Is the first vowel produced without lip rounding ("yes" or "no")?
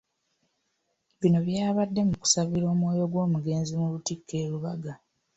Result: yes